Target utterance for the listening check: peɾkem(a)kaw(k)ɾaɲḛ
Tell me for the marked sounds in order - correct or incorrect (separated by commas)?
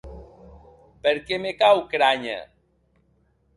incorrect, correct